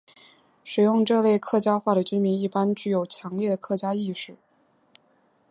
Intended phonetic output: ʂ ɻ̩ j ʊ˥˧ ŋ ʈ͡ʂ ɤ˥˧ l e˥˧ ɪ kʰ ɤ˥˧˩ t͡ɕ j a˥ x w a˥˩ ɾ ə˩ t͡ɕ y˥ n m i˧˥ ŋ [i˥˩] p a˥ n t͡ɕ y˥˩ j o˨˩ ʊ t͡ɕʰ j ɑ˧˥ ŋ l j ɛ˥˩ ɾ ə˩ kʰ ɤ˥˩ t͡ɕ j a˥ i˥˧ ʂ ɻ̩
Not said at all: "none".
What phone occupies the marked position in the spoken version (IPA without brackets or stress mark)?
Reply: i˥˩